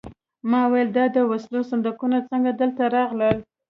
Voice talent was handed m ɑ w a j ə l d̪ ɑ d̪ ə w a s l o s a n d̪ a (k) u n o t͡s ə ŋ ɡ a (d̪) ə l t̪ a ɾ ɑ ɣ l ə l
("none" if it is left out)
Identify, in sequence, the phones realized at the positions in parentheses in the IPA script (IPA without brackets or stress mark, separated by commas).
k, d̪